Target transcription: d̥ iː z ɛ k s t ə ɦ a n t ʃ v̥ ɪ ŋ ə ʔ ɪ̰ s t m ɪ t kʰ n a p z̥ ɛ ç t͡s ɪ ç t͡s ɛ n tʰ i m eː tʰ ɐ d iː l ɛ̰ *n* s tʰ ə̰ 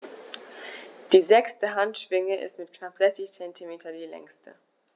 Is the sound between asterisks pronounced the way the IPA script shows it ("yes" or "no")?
no